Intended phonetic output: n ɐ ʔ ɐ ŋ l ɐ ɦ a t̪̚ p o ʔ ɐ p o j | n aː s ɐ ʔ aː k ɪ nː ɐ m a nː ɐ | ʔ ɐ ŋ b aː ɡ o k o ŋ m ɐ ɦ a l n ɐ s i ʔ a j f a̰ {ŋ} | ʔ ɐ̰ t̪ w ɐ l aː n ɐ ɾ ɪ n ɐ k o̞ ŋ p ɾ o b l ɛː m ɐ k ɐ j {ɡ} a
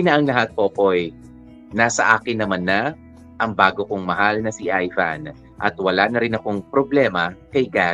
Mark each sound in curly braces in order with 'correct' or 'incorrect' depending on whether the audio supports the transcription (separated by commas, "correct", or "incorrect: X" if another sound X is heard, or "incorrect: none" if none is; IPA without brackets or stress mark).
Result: incorrect: n, correct